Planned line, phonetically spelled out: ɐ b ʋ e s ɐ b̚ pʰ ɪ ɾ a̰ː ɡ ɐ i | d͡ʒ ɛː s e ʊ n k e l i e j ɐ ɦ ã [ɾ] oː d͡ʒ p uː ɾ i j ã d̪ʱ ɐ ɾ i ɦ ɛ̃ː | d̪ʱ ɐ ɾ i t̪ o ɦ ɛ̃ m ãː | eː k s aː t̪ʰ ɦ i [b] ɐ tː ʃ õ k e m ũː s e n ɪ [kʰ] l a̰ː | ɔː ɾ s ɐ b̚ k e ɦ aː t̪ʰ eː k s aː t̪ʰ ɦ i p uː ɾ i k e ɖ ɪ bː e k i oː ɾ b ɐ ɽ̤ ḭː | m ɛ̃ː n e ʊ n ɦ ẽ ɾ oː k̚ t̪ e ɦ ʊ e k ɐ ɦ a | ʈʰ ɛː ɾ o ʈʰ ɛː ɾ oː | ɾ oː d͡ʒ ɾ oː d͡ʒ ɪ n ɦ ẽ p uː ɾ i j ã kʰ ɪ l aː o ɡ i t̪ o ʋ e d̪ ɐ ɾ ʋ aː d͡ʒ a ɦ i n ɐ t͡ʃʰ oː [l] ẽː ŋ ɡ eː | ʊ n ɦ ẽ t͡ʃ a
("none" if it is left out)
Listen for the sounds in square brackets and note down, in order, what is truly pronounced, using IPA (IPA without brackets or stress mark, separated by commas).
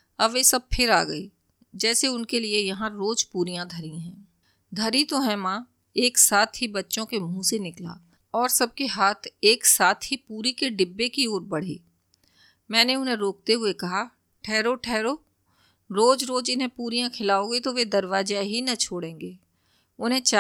ɾ, b, k, ɽ